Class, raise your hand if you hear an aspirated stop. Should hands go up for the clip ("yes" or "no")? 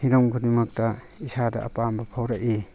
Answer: yes